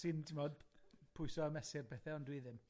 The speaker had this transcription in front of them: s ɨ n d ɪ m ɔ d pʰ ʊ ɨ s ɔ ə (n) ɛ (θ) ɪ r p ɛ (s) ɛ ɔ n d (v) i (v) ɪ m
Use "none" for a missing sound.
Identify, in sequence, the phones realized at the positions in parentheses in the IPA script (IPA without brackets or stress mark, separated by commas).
m, s, θ, w, ð